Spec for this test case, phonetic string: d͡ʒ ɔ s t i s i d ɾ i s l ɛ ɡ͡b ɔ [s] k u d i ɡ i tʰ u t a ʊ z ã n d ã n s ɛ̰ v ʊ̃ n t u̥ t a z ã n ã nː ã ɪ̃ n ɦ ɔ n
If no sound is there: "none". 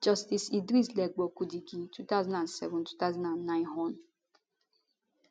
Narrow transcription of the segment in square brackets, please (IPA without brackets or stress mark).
none